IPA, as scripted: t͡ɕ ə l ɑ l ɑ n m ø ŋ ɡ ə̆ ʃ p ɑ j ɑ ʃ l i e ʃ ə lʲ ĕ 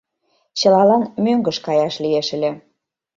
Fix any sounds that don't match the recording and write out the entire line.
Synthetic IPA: t͡ɕ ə l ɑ l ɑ n m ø ŋ ɡ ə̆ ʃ k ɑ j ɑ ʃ l i e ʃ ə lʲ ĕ